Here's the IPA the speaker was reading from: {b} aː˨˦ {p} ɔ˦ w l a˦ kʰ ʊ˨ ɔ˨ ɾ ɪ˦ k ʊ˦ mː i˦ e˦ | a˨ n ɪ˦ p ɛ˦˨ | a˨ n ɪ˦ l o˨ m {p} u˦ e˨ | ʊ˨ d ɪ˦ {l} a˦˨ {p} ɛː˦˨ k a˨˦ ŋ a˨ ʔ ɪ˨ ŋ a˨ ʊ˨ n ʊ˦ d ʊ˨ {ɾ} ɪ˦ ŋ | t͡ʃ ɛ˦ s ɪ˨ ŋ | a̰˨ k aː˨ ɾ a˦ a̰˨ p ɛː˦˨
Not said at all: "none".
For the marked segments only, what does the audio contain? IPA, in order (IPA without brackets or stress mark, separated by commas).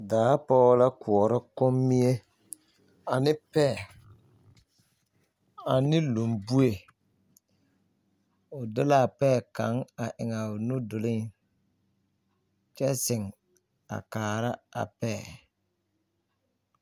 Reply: d, p, b, l, p, l